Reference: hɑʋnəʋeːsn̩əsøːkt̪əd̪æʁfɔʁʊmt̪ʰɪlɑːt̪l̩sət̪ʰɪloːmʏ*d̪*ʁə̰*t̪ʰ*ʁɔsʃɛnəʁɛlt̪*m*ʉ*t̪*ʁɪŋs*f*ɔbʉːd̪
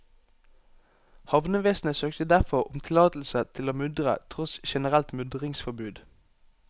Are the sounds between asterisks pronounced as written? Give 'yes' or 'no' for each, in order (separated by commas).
yes, yes, yes, no, yes